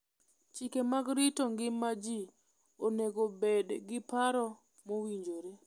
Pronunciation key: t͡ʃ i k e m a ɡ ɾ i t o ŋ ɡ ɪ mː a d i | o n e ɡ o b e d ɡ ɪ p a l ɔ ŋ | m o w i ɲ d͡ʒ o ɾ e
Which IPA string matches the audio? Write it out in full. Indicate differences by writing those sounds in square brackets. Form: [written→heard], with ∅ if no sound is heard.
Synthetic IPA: t͡ʃ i k e m a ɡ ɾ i t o ŋ ɡ ɪ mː a [d→d͡ʒ] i | o n e ɡ o b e d ɡ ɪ p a [l→ɾ] ɔ [ŋ→∅] | m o w i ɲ d͡ʒ o ɾ e